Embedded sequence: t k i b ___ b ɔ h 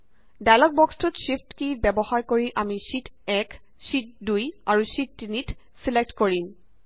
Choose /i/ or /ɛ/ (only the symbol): ɛ